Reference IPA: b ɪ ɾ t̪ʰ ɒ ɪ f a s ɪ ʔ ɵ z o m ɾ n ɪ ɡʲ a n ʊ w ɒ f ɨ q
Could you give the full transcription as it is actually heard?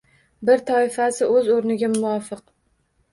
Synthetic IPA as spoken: b ɪ ɾ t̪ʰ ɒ ɪ f a s ɪ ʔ ɵ z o ɾ n ɪ ɡʲ a m ʊ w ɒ f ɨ q